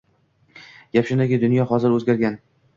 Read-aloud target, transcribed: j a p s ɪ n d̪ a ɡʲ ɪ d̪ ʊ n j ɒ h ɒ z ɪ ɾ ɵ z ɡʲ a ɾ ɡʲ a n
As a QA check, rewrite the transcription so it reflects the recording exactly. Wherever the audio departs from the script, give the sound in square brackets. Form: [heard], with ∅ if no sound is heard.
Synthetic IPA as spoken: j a p [ʃ] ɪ n d̪ a ɡʲ ɪ d̪ ʊ n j ɒ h ɒ z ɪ ɾ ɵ z ɡʲ a ɾ ɡʲ a n

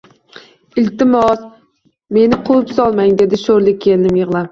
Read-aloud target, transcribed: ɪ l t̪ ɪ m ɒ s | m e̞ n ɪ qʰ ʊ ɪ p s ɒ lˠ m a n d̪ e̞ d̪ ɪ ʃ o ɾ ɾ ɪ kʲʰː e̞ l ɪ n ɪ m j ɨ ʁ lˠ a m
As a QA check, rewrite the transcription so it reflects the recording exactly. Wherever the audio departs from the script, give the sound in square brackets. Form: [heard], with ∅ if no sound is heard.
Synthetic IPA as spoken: ɪ l t̪ ɪ m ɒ s | m e̞ n ɪ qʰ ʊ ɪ p s ɒ lˠ m a [ŋ] d̪ e̞ d̪ ɪ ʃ o ɾ [l] ɪ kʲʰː e̞ l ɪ n ɪ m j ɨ ʁ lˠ a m

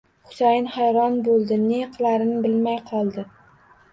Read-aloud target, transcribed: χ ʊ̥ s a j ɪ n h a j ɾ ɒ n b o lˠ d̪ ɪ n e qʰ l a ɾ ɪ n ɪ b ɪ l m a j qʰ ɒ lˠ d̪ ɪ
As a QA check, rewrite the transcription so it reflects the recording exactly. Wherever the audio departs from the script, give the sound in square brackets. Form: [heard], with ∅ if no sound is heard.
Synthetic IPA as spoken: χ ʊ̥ s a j ɪ n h a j ɾ ɒ n b o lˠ d̪ ɪ n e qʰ l a ɾ ɪ n ɪ b ɪ l m a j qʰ ɒ lˠ d̪ ɪ

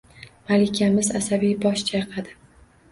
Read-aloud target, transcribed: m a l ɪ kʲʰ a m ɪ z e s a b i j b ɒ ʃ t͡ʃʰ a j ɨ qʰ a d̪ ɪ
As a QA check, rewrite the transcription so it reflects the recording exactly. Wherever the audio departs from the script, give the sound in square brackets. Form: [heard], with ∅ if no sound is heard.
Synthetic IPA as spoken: m a l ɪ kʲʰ a m ɪ z [a] s a b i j b ɒ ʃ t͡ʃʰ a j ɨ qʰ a d̪ ɪ

